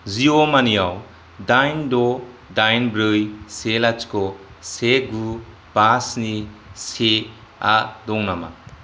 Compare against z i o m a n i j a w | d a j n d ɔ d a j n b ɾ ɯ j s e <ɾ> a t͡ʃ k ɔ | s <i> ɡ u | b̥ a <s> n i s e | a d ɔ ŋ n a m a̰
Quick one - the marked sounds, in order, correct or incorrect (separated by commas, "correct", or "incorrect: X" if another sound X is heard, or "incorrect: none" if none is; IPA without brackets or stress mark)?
incorrect: l, incorrect: e, correct